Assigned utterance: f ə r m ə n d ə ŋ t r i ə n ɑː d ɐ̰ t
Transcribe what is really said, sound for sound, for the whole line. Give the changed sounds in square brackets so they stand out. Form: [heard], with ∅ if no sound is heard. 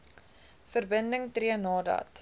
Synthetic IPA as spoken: f ə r [b] ə n d ə ŋ t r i ə n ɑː d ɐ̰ t